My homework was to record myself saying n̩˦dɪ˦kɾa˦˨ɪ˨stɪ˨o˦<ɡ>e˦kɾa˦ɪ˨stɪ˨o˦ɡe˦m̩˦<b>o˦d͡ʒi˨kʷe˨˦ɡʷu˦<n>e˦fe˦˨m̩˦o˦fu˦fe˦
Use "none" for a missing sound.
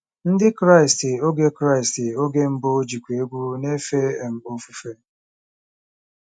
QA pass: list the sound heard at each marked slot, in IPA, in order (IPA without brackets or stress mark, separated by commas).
ɡ, b, n